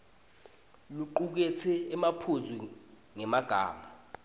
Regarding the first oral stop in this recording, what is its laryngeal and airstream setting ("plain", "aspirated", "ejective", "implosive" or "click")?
click